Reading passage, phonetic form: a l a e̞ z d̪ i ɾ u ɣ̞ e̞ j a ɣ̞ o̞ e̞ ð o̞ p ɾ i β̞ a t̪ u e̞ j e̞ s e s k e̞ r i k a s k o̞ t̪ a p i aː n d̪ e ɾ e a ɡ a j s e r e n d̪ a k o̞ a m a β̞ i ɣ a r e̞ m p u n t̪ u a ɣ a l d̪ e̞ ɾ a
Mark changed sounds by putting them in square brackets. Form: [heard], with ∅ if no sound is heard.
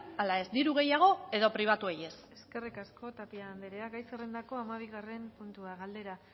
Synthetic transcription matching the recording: a l a e̞ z d̪ i ɾ u ɣ̞ e̞ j a ɣ̞ o̞ e̞ ð o̞ p ɾ i β̞ a t̪ u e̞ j e̞ s e s k e̞ r i k a s k o̞ t̪ a p i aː n d̪ e ɾ e a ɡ a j s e r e n d̪ a k o̞ a m a β̞ i ɣ a r e̞ m p u n t̪ u a ɣ a l d̪ e̞ ɾ a